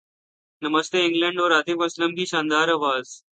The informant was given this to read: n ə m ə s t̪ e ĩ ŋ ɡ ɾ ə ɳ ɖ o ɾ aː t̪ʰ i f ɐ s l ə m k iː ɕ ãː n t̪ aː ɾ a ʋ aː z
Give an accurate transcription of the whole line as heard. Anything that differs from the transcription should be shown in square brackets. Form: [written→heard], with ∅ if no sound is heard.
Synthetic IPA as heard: n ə m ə s t̪ e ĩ ŋ ɡ [ɾ→l] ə ɳ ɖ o ɾ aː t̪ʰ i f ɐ s l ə m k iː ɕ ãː n [t̪→d̪] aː ɾ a ʋ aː z

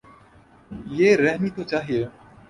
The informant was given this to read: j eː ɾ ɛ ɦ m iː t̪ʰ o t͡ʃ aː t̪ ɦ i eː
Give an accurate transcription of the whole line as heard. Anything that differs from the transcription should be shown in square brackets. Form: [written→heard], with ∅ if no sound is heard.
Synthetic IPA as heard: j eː ɾ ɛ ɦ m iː [t̪ʰ→t̪] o t͡ʃ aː [t̪→∅] ɦ i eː

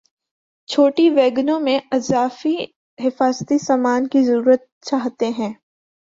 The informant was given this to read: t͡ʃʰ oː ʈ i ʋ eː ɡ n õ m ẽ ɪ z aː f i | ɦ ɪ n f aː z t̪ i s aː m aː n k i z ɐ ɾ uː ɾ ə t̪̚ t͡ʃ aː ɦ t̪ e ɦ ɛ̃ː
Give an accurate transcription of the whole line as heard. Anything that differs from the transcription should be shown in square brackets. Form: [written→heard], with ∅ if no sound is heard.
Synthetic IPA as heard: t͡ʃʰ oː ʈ i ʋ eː ɡ n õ m ẽ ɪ z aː f i | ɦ ɪ [n→∅] f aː z t̪ i s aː m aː n k i z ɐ ɾ uː ɾ ə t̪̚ t͡ʃ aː ɦ t̪ e ɦ ɛ̃ː

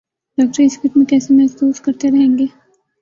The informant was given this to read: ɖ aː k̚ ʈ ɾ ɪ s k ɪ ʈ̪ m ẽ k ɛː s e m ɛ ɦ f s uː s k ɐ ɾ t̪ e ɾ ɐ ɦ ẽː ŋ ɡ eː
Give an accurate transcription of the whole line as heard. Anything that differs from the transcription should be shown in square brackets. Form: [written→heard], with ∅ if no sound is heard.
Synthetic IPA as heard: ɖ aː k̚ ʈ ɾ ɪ s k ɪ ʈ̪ m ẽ k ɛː s e m ɛ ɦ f s uː s k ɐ ɾ t̪ e ɾ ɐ ɦ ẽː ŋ ɡ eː

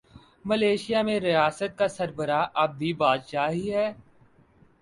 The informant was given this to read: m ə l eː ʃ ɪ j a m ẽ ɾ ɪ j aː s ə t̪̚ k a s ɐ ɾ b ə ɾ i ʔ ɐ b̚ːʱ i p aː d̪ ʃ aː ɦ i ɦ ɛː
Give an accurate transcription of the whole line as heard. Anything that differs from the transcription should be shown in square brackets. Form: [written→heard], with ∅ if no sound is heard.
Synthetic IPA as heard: m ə l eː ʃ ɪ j a m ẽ ɾ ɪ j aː s ə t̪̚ k a s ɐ ɾ b ə ɾ [i→a] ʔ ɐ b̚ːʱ i [p→b] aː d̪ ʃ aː ɦ i ɦ ɛː

